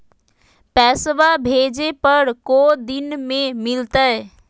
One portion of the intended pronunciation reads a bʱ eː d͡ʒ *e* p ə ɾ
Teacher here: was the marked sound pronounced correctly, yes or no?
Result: yes